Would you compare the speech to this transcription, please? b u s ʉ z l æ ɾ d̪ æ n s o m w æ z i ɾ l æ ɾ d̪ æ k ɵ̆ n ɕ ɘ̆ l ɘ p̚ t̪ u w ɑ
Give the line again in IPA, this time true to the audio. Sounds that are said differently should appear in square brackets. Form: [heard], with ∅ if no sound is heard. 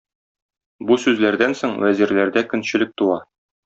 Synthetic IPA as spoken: b u s ʉ z l æ ɾ d̪ æ n s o [ɴ] w æ z i ɾ l æ ɾ d̪ æ k ɵ̆ n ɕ ɘ̆ l ɘ [k̚] t̪ u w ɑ